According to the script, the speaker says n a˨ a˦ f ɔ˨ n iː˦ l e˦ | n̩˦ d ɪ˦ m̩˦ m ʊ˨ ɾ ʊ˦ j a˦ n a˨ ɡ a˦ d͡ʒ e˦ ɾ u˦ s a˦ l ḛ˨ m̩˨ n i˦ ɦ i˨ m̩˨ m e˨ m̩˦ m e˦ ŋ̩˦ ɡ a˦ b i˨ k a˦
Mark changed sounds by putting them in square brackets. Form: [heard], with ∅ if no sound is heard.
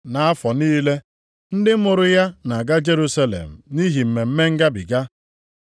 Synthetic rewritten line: n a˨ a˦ f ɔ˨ n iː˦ l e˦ | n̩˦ d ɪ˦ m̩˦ m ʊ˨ ɾ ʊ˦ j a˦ n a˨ ɡ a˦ d͡ʒ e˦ ɾ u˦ s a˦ l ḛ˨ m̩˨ n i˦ ɦ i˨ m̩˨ m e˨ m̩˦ m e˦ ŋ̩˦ ɡ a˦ b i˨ [ɡ] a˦